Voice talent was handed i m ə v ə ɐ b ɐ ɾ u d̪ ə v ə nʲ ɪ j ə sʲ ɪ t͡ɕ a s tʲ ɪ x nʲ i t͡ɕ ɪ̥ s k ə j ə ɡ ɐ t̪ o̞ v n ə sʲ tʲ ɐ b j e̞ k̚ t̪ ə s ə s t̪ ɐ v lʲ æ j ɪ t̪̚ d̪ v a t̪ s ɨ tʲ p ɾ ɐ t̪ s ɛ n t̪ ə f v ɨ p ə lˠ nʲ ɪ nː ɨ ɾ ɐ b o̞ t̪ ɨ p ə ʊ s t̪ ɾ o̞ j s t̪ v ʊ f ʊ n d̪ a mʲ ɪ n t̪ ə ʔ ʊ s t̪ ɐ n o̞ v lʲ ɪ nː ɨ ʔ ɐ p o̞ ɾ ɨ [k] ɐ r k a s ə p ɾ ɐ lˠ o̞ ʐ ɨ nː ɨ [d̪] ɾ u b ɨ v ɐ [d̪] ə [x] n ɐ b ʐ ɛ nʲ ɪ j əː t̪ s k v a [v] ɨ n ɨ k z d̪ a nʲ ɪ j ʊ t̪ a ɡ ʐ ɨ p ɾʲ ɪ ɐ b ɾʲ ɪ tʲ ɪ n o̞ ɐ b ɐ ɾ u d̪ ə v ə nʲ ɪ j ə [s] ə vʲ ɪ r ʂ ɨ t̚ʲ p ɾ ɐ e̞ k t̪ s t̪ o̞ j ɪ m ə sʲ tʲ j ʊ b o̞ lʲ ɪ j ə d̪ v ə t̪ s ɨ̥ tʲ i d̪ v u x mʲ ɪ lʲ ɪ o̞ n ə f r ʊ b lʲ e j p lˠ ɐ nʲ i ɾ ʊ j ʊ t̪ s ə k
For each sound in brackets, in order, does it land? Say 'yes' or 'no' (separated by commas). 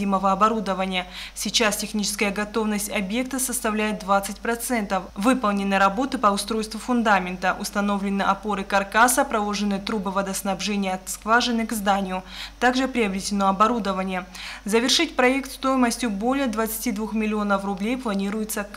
yes, no, yes, no, no, no